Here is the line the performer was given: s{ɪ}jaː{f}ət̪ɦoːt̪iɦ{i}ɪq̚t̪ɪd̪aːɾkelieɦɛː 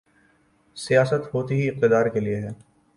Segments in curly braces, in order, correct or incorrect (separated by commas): incorrect, incorrect, correct